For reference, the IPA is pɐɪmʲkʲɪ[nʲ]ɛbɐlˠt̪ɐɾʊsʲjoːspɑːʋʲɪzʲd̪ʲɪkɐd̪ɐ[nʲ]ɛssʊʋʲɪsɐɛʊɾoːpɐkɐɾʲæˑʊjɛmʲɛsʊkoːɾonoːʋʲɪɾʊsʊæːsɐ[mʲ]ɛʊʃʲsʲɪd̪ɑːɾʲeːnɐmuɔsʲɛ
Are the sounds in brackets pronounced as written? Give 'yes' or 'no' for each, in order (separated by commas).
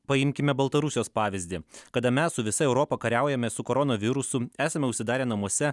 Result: no, no, yes